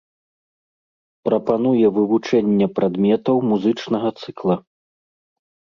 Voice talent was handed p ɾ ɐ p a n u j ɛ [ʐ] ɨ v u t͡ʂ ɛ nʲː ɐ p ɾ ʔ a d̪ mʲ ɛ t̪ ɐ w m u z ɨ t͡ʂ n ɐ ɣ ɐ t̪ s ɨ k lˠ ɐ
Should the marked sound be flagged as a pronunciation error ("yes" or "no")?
yes